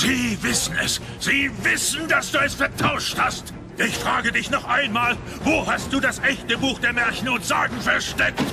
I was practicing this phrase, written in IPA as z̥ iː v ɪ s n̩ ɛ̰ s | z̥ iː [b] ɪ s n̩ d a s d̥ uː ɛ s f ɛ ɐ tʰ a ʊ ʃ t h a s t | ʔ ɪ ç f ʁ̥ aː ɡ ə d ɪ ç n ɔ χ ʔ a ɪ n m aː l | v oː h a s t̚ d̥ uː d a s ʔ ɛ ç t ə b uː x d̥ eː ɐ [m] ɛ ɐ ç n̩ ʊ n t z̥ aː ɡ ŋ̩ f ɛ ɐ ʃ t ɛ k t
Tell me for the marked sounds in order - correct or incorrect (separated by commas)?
incorrect, correct